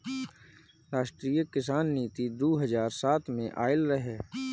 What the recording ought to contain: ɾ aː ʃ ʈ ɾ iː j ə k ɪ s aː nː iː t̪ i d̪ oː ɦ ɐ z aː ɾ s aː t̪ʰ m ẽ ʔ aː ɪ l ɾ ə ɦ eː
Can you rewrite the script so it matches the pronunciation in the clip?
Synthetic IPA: ɾ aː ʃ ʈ ɾ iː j ə k ɪ s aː nː iː t̪ i d̪ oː ɦ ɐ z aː ɾ s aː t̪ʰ m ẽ ʔ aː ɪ l ɾ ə ɦ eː